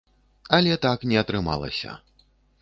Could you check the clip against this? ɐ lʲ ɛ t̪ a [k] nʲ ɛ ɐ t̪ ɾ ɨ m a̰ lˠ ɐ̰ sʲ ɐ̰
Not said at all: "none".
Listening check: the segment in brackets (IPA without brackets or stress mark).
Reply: k